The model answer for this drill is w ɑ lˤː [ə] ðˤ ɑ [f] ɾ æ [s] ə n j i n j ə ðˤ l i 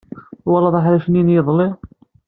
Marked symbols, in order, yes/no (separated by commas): no, no, no